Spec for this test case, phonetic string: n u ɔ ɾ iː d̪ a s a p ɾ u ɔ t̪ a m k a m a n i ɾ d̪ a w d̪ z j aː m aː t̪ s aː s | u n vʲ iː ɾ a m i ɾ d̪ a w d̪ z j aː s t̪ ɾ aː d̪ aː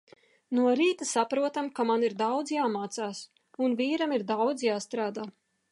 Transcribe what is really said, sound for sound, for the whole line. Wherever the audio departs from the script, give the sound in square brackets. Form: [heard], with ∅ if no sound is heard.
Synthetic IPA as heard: n u ɔ ɾ iː [t̪] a s a p ɾ u ɔ t̪ a m k a m a n i ɾ d̪ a w d̪ z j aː m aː t̪ s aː s | u n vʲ iː ɾ a m i ɾ d̪ a w d̪ z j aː s t̪ ɾ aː d̪ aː